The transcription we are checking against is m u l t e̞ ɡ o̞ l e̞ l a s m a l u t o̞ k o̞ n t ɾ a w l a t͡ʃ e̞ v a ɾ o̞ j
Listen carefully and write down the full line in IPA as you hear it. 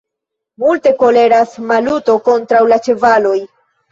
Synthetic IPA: m u l t e̞ k o̞ l e̞ ɾ a s m a l u t o̞ k o̞ n t ɾ a w l a t͡ʃ e̞ v a l o̞ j